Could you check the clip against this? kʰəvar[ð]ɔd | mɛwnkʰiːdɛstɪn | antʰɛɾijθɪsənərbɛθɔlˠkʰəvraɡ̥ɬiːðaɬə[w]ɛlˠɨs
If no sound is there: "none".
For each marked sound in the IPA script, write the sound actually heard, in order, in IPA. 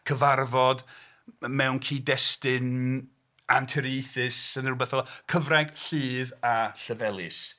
v, v

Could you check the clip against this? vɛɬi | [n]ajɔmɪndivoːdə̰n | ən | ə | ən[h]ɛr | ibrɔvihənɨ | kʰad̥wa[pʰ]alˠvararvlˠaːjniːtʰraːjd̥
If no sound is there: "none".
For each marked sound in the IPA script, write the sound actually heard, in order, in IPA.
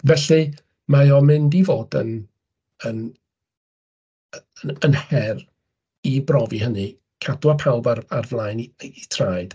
m, h, pʰ

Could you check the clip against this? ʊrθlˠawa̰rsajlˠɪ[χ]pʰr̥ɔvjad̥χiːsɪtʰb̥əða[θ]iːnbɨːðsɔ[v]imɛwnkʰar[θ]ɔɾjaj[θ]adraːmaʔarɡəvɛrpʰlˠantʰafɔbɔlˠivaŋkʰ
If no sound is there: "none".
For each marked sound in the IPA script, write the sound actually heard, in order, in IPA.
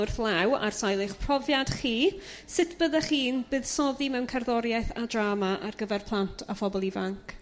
χ, χ, ð, ð, θ

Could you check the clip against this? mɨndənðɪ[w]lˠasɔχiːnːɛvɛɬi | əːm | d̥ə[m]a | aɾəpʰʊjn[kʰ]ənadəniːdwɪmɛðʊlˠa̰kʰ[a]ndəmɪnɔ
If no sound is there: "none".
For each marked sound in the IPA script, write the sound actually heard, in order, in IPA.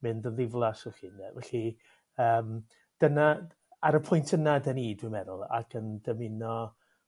v, n, tʰ, ə

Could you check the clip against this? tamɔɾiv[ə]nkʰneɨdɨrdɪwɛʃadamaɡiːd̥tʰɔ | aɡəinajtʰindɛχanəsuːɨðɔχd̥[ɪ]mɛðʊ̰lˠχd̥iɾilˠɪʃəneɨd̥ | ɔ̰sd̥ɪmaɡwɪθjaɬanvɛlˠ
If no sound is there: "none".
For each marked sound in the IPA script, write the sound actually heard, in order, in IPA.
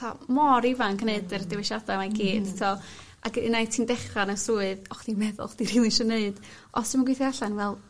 a, i

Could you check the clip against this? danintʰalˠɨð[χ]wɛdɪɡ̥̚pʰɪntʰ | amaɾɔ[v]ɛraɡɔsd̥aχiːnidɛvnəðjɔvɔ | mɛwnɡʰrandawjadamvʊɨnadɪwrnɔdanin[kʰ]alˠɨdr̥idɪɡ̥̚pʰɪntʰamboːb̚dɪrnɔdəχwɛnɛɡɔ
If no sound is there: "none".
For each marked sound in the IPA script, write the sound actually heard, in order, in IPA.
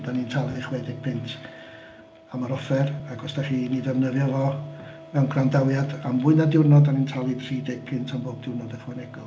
χ, f, tʰ

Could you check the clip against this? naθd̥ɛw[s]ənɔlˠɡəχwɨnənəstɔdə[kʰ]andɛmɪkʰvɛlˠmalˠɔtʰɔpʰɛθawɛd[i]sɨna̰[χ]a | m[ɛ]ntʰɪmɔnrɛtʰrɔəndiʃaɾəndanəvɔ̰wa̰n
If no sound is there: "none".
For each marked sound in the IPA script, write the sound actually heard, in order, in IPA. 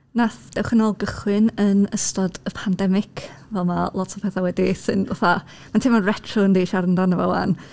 χ, pʰ, i, θ, a

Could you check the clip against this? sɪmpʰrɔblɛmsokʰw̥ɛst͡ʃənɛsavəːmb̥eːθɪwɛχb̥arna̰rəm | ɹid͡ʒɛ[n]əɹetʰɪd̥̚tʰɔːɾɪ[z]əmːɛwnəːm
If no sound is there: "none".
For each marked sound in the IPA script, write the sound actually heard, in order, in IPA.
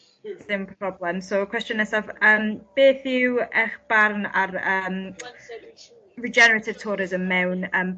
n, z

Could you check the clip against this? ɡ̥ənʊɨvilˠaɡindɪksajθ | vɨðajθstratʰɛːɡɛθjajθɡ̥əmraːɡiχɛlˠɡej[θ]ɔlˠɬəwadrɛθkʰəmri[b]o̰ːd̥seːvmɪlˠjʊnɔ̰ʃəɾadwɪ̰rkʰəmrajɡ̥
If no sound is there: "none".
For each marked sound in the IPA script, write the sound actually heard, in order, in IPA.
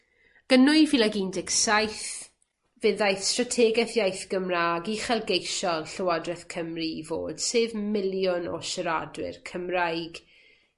ʃ, v

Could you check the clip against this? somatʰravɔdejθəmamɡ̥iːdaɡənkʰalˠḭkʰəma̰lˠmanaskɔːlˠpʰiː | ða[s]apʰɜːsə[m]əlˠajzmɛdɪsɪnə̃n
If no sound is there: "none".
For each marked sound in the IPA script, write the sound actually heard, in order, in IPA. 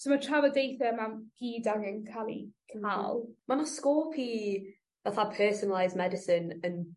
θ, n

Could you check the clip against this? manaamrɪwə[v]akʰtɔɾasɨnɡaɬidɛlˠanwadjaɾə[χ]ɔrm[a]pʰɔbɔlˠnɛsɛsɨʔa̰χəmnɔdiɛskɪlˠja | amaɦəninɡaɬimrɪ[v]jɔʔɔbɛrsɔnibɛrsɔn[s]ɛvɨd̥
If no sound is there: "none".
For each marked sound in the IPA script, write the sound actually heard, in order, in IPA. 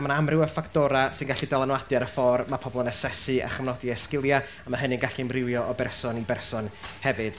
f, f, a, w, h

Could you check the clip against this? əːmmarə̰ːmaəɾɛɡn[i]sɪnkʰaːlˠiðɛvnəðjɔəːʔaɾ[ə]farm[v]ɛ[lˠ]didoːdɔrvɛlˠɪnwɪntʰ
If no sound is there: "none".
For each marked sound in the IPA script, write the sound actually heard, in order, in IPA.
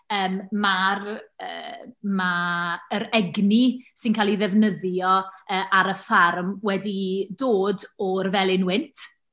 i, ə, w, none

